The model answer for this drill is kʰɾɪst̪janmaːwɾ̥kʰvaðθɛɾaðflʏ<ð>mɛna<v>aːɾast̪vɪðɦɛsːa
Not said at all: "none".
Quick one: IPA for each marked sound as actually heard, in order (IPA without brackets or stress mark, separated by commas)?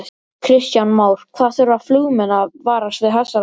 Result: ɣ, v